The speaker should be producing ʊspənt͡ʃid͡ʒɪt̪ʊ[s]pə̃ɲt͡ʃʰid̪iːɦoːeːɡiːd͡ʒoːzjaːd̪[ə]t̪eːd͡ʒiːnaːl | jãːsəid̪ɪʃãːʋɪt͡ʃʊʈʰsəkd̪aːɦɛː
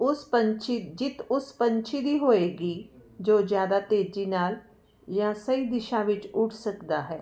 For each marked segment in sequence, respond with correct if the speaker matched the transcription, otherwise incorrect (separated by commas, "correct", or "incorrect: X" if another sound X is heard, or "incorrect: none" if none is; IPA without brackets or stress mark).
correct, incorrect: a